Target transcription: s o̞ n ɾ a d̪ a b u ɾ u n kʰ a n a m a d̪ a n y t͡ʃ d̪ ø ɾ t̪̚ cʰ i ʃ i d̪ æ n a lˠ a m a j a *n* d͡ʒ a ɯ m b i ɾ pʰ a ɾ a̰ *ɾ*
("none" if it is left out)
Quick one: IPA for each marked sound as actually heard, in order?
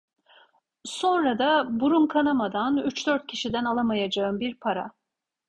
none, none

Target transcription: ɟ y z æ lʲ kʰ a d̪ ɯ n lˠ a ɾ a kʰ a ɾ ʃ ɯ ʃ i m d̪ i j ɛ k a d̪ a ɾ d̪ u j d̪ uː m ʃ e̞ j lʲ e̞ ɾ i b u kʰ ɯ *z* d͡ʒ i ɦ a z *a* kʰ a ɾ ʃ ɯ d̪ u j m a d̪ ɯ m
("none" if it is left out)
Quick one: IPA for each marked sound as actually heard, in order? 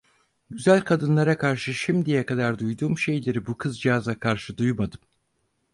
z, a

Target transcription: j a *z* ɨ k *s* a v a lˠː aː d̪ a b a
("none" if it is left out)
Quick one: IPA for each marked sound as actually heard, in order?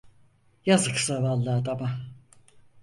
z, s

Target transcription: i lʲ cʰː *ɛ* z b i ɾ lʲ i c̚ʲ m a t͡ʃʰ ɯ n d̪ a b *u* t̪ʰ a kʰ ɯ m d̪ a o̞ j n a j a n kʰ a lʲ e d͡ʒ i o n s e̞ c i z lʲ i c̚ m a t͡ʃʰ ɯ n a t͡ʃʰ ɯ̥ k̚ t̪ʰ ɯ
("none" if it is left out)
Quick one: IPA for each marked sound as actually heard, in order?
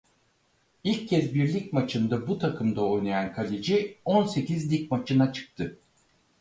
ɛ, u

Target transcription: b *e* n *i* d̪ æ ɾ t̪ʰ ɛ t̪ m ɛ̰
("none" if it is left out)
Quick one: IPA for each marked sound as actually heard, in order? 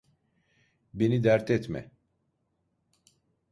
e, i

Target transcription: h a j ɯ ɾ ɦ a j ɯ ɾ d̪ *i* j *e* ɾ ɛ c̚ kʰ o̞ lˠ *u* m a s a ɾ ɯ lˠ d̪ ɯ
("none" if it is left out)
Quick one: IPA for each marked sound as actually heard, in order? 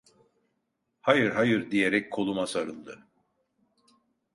i, e, u

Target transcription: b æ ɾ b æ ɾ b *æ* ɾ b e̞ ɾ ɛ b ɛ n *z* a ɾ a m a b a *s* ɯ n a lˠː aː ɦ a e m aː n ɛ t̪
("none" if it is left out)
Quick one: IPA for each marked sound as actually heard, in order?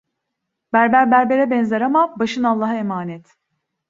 æ, z, ʃ

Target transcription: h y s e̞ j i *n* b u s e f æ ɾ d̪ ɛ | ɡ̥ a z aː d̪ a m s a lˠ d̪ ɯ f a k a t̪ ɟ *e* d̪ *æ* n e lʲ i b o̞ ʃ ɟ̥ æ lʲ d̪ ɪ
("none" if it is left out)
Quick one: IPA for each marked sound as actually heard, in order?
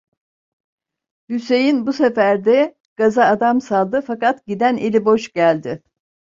n, i, æ

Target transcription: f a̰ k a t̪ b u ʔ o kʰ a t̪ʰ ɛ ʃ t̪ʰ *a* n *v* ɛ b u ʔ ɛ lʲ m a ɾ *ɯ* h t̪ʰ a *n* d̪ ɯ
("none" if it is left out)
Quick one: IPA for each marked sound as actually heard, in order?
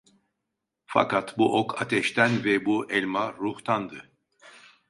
æ, v, u, n

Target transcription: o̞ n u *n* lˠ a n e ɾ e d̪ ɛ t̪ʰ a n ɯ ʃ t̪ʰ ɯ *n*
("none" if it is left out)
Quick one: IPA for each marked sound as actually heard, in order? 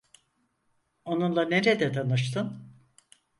n, n

